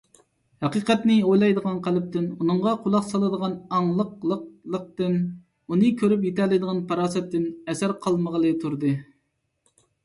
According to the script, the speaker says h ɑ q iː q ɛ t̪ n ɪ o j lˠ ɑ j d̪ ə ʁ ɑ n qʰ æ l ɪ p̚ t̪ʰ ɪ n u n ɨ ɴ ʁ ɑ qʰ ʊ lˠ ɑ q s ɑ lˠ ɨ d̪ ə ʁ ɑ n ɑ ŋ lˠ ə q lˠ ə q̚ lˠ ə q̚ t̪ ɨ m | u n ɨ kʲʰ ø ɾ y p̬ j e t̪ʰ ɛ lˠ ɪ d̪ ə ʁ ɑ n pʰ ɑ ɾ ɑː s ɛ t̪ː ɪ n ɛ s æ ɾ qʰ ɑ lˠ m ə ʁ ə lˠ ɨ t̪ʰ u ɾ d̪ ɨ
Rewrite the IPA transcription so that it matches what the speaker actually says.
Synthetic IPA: h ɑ q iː q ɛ t̪ n ɪ o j lˠ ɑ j d̪ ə ʁ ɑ n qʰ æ l ɪ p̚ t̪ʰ ɪ n u n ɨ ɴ ʁ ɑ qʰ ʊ lˠ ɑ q s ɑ lˠ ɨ d̪ ə ʁ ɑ n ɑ ŋ lˠ ə q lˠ ə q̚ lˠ ə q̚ t̪ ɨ n | u n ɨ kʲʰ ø ɾ y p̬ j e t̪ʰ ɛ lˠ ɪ d̪ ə ʁ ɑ n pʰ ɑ ɾ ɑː s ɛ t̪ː ɪ n ɛ s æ ɾ qʰ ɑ lˠ m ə ʁ ə lˠ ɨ t̪ʰ u ɾ d̪ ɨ